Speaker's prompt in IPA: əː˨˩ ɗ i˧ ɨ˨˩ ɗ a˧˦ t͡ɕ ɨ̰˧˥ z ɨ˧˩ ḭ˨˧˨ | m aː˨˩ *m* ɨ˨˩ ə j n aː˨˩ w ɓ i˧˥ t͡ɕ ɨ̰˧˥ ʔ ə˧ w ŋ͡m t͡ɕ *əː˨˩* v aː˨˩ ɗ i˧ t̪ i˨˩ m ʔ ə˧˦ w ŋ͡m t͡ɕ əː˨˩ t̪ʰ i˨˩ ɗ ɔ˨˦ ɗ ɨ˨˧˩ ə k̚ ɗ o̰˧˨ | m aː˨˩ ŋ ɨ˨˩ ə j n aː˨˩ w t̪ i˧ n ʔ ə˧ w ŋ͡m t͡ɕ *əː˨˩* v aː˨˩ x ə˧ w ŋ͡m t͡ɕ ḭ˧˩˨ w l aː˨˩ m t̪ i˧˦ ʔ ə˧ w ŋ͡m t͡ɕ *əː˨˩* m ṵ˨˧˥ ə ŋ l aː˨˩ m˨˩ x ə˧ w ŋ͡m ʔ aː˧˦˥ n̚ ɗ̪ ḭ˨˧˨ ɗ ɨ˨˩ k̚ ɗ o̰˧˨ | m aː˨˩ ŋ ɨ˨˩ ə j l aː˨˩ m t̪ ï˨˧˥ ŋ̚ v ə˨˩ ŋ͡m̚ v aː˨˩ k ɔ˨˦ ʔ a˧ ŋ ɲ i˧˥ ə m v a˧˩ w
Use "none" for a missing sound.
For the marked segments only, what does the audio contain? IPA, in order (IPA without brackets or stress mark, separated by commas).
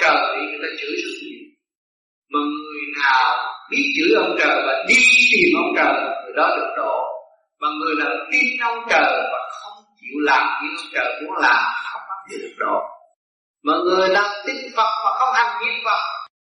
ŋ, əː˨˩, əː˨˩, əː˨˩